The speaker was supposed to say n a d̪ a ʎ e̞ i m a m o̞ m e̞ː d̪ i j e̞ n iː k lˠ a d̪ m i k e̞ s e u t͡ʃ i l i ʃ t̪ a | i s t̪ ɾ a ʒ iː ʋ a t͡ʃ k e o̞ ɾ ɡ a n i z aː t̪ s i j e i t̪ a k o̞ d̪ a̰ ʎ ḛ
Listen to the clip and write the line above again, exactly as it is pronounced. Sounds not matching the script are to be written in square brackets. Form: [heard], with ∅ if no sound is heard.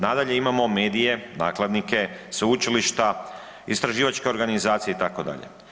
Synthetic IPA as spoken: n a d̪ a ʎ e̞ i m a m o̞ m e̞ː d̪ i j e̞ n [aː] k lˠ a d̪ [n] i k e̞ s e u t͡ʃ i l i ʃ t̪ a | i s t̪ ɾ a ʒ iː ʋ a t͡ʃ k e o̞ ɾ ɡ a n i z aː t̪ s i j e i t̪ a k o̞ d̪ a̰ ʎ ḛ